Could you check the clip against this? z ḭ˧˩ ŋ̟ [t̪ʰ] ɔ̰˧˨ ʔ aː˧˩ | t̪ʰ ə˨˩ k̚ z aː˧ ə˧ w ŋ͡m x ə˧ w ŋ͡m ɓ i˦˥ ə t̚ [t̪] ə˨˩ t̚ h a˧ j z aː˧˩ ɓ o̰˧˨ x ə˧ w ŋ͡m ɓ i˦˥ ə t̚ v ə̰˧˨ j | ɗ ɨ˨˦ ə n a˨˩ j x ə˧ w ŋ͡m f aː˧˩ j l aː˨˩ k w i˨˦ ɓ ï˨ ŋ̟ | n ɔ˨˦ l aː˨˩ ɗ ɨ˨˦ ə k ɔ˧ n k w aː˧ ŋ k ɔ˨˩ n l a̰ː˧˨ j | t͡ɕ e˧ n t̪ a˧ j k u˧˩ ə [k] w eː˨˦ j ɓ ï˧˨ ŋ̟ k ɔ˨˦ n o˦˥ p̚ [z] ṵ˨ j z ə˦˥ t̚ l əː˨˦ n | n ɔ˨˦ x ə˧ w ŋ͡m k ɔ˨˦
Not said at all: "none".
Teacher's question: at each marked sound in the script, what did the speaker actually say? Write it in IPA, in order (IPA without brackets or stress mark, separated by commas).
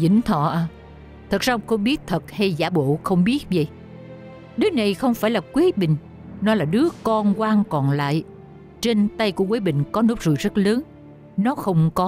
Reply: t̪ʰ, t̪ʰ, k, z